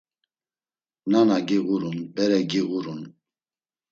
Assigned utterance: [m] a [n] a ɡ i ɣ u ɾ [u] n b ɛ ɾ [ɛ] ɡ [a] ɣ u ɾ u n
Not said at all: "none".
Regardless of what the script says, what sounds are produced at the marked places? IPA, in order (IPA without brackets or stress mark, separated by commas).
n, n, u, ɛ, i